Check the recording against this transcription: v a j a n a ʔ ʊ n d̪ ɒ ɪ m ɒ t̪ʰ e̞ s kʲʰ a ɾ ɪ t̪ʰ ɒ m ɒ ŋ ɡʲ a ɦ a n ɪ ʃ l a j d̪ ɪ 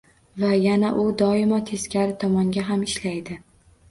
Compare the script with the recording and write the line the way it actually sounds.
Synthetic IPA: v a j a n a ʔ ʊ d̪ ɒ ɪ m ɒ t̪ʰ e̞ s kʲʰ a ɾ ɪ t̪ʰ ɒ m ɒ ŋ ɡʲ a ɦ a m ɪ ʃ l a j d̪ ɪ